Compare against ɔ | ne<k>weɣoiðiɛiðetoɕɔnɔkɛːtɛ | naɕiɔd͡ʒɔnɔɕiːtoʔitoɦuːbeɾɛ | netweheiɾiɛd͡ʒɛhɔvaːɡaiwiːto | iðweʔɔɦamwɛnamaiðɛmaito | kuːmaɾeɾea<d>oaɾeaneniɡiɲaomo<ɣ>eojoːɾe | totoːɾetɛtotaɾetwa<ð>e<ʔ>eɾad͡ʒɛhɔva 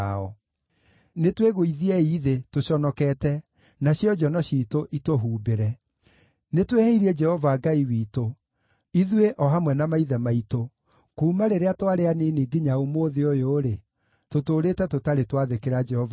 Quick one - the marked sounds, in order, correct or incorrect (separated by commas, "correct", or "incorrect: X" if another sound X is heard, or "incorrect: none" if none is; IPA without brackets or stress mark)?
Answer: incorrect: t, incorrect: t, incorrect: ð, correct, incorrect: k